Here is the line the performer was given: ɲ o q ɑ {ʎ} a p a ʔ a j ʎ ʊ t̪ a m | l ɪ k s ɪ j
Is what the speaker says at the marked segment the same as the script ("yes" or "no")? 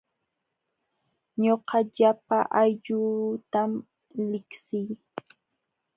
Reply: yes